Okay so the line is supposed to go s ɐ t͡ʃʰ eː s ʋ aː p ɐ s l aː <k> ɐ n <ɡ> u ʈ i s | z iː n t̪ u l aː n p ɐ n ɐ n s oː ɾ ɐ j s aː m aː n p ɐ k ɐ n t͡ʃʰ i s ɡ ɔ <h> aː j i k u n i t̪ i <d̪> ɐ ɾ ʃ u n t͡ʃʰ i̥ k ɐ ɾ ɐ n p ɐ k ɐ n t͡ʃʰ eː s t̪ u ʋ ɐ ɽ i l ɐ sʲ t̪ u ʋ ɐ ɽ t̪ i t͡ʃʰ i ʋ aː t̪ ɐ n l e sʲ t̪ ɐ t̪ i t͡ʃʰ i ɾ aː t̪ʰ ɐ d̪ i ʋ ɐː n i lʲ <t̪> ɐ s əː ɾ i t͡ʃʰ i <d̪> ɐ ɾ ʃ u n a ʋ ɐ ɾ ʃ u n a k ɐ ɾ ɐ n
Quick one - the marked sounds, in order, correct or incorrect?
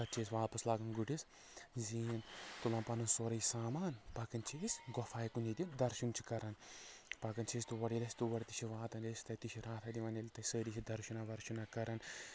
incorrect, correct, incorrect, correct, correct, correct

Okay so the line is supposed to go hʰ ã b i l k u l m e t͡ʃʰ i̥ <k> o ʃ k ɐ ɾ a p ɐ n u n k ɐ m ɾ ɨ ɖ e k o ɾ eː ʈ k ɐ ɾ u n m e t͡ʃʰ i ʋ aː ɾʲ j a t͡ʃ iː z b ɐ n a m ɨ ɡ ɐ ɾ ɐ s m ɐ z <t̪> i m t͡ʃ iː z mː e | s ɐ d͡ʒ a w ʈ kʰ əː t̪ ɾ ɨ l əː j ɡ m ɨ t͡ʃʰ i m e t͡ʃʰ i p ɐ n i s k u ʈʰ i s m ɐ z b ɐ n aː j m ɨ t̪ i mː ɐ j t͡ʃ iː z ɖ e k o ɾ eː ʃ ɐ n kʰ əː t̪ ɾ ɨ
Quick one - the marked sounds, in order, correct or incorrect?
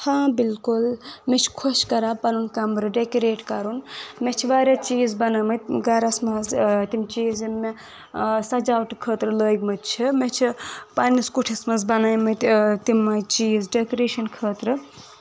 incorrect, correct

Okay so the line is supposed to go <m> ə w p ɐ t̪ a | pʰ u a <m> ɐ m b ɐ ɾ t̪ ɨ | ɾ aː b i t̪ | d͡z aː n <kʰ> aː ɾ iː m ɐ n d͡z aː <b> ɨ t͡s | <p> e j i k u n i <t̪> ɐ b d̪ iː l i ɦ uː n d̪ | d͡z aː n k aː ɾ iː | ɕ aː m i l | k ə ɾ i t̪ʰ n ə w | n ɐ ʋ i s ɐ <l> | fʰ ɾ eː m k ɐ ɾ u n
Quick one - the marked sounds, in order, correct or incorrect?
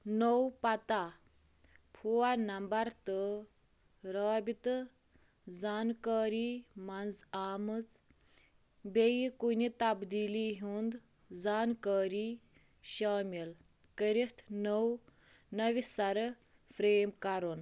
incorrect, incorrect, incorrect, incorrect, incorrect, correct, incorrect

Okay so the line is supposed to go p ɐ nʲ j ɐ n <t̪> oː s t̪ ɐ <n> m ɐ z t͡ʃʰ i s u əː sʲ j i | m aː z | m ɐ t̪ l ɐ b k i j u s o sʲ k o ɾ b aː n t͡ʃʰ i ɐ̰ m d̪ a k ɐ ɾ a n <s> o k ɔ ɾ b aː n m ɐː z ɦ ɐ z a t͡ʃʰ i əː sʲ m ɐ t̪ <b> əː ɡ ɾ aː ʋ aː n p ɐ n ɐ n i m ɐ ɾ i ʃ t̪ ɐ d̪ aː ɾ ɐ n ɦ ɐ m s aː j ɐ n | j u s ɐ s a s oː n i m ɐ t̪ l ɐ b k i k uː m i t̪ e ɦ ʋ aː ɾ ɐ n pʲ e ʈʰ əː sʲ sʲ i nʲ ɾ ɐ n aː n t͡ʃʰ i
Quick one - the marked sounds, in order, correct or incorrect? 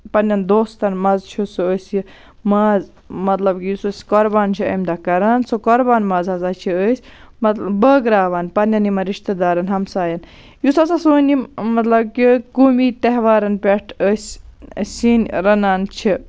incorrect, correct, correct, correct

